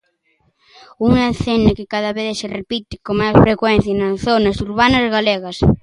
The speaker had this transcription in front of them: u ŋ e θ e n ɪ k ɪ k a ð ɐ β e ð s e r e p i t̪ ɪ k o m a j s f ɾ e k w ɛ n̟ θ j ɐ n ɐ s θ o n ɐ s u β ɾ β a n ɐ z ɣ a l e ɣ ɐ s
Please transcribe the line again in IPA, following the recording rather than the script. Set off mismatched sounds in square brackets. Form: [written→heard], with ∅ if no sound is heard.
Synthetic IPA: u ŋ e θ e n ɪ k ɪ k a ð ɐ β e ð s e r e p i t̪ ɪ k o m a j s f ɾ e k w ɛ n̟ θ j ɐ n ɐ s θ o n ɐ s u [β→∅] ɾ β a n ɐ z ɣ a l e ɣ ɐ s